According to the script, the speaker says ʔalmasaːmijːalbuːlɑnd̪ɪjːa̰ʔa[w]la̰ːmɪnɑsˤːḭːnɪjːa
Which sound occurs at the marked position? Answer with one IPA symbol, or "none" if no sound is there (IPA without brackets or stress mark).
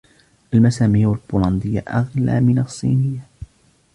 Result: ɣ